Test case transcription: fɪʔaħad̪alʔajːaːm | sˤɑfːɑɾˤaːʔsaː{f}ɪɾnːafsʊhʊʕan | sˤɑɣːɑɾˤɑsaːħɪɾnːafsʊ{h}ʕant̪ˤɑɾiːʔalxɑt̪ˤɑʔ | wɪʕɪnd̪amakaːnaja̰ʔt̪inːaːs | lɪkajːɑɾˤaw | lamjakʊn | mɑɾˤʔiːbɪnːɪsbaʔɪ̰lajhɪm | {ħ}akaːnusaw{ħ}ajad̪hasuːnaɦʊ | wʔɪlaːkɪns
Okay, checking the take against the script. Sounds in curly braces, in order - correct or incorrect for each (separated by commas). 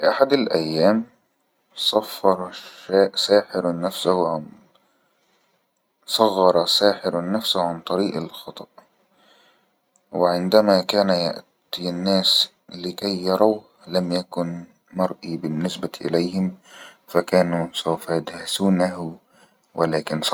incorrect, correct, incorrect, incorrect